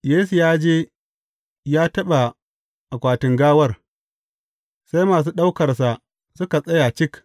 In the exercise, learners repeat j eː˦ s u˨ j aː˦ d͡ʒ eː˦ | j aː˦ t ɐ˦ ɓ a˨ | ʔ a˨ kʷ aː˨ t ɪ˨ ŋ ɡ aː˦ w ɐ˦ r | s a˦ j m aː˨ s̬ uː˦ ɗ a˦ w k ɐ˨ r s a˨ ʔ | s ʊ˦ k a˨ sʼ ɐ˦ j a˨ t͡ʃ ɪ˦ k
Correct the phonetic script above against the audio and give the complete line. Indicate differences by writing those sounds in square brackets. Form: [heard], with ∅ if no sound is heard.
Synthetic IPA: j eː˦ s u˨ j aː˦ d͡ʒ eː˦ | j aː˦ t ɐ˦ ɓ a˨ | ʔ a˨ kʷ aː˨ t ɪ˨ ŋ ɡ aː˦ w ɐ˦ r | s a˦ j m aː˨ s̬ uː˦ ɗ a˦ w k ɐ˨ r s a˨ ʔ | s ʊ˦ k a˨ sʼ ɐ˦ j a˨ t͡ʃ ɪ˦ k